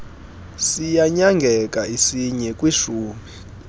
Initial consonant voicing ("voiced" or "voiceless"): voiceless